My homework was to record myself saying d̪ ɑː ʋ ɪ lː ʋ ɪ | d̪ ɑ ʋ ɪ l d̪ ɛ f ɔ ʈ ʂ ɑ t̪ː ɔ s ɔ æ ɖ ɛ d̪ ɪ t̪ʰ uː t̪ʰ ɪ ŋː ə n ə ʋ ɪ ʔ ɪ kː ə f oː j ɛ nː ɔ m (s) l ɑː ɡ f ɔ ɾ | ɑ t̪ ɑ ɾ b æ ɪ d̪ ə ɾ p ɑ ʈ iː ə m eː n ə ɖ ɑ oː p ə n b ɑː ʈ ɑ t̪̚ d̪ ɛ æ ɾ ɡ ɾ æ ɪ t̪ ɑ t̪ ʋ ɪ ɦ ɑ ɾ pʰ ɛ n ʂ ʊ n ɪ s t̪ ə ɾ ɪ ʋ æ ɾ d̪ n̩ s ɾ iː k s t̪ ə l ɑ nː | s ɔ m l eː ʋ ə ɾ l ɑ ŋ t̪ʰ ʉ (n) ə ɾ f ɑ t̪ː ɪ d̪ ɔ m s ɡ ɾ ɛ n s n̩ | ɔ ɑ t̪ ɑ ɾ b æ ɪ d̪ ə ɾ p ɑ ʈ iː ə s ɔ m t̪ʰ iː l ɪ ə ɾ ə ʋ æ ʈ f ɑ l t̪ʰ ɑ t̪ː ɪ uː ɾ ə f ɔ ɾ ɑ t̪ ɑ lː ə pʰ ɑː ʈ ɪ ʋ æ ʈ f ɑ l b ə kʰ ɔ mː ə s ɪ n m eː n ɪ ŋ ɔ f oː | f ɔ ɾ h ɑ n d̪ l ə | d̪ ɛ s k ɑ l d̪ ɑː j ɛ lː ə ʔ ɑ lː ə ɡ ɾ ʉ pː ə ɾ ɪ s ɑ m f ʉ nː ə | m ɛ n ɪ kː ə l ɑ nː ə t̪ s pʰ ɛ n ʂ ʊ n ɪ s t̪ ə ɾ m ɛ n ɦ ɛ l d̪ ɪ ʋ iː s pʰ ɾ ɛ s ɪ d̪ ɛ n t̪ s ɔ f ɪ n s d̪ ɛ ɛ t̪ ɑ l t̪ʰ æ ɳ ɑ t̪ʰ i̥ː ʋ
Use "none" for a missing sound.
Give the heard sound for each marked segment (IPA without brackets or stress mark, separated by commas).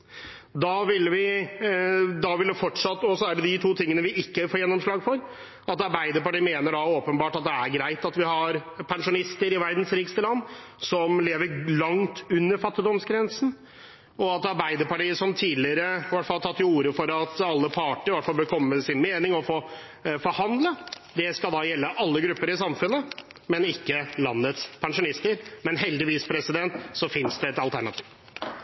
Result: ʂ, nː